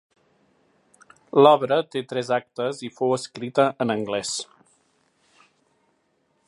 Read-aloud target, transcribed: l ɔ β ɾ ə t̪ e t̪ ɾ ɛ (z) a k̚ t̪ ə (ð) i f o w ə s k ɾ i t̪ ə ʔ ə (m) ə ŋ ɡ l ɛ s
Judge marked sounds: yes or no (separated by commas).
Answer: yes, no, no